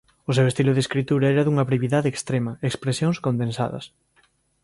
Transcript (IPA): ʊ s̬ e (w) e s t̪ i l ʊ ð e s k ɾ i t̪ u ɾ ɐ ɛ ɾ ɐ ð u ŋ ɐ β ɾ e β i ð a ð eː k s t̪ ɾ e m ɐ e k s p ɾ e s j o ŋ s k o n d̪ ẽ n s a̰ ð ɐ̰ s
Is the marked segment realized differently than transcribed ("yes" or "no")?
no